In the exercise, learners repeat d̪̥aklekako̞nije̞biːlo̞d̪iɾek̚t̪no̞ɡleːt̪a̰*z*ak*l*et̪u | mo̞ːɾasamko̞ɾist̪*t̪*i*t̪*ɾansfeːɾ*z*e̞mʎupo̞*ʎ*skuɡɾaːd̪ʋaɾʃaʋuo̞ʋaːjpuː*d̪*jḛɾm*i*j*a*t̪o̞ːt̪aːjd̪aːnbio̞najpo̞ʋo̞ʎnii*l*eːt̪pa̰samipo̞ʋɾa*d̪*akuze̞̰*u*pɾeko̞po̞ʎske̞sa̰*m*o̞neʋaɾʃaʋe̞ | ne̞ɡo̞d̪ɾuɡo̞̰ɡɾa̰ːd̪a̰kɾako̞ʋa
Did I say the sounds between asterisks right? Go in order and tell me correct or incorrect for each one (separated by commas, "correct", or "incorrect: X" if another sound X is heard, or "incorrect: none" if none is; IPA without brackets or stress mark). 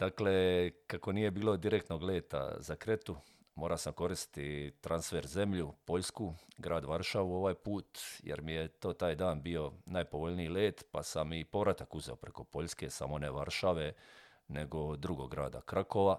correct, incorrect: ɾ, correct, correct, correct, correct, incorrect: t̪, correct, incorrect: e, correct, incorrect: t̪, incorrect: o, correct